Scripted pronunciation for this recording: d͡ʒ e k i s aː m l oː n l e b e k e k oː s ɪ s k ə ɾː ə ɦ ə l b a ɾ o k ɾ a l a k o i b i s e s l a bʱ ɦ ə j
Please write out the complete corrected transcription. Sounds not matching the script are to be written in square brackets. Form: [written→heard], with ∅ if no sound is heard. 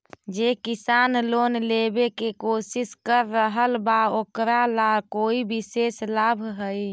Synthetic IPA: d͡ʒ e k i s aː [m→n] l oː n l e b e k e k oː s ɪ s k ə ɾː ə ɦ ə l b a [ɾ→∅] o k ɾ a l a k o i b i s e s l a bʱ ɦ ə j